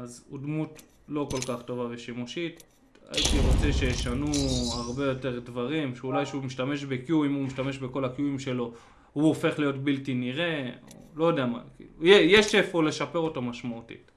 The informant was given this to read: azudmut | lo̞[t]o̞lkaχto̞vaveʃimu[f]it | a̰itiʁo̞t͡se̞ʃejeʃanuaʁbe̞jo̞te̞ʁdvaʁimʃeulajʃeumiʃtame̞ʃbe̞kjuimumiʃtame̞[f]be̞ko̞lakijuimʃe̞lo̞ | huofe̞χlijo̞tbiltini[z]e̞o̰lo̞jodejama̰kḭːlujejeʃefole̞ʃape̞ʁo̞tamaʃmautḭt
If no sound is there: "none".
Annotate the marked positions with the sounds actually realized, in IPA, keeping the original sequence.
k, ʃ, ʃ, ʁ

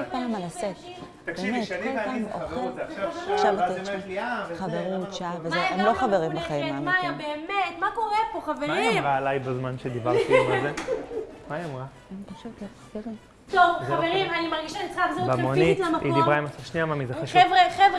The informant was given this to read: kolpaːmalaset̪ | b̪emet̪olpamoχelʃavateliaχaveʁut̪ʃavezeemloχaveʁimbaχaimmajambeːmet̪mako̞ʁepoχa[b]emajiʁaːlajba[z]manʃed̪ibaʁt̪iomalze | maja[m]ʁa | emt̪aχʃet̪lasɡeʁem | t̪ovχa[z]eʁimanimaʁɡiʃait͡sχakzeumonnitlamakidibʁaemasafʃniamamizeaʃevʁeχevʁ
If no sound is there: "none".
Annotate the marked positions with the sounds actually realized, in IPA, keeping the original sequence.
v, z, m, v

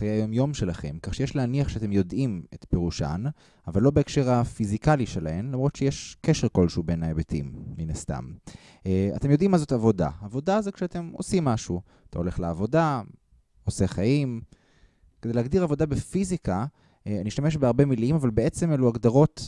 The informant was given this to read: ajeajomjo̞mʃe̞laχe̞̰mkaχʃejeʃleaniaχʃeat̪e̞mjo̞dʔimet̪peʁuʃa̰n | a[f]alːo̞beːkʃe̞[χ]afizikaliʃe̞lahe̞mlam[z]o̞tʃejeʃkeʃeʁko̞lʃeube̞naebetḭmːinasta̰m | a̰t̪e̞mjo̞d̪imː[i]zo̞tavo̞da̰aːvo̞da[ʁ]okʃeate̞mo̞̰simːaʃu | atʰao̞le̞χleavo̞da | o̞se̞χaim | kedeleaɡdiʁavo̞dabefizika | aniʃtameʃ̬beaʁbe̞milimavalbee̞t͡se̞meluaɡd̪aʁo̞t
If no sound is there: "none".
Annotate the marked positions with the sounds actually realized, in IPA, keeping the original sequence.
v, ʁ, ʁ, a, z

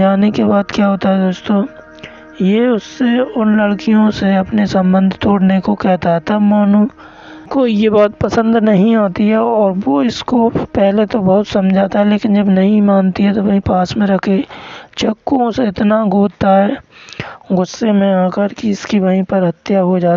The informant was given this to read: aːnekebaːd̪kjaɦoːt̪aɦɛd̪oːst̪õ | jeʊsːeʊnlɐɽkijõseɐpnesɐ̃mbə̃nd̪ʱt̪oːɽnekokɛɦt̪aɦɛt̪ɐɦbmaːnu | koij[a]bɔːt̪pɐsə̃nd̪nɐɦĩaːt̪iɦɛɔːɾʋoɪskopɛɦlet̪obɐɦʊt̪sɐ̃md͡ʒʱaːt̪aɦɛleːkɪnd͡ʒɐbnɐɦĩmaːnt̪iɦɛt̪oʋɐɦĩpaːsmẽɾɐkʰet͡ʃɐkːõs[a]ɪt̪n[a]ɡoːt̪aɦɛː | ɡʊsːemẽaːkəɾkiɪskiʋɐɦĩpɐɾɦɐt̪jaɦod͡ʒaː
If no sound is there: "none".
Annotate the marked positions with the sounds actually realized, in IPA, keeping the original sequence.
e, e, a

